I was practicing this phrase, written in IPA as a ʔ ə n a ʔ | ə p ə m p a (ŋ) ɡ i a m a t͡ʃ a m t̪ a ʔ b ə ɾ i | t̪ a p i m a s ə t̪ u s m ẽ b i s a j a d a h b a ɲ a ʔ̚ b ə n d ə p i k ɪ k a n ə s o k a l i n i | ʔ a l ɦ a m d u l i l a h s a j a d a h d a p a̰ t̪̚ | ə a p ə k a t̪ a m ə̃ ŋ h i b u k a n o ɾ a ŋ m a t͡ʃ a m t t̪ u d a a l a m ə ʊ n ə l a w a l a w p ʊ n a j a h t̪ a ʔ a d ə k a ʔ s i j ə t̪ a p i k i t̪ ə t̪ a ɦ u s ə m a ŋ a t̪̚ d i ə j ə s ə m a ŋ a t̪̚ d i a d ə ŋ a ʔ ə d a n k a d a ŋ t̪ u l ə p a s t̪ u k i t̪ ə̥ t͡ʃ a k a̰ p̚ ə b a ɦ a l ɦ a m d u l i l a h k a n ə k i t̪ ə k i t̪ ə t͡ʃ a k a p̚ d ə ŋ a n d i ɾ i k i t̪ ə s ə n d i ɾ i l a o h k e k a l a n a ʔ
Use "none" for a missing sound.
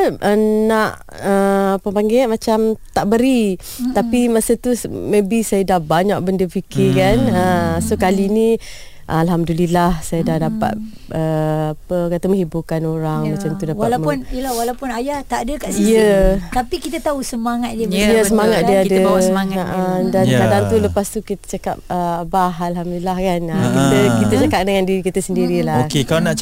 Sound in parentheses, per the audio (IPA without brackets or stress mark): ŋ